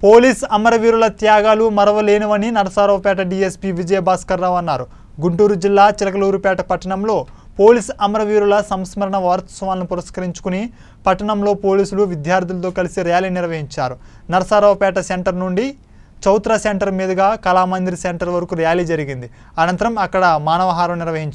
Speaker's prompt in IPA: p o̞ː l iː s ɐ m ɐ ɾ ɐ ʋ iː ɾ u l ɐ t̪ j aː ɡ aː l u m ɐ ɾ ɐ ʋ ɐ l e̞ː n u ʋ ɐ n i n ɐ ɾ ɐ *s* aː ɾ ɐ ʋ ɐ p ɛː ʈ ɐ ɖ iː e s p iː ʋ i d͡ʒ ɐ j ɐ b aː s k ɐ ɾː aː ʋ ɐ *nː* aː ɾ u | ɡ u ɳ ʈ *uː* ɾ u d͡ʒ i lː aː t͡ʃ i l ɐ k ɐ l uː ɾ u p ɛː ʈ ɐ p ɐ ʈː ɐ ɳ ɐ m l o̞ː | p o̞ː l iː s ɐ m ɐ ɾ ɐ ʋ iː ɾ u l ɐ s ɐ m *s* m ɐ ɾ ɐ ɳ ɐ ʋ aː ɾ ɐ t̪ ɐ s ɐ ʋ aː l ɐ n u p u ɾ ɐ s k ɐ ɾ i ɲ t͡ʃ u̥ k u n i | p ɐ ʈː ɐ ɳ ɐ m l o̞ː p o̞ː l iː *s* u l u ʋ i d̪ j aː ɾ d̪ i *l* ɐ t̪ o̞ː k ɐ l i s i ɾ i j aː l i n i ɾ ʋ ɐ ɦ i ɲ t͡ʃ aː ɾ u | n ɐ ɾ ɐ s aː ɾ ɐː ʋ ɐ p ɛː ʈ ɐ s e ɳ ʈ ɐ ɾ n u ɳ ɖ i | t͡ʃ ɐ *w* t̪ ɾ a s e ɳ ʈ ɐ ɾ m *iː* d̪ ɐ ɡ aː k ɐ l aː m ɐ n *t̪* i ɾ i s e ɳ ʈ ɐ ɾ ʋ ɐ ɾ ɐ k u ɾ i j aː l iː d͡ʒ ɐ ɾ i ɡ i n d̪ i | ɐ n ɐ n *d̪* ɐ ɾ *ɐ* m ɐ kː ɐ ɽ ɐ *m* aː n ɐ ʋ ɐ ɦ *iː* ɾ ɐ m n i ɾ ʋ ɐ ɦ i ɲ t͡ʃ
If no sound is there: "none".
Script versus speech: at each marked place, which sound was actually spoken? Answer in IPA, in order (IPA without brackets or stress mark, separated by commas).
s, nː, uː, s, s, l, w, iː, d̪, t̪, ɐ, m, aː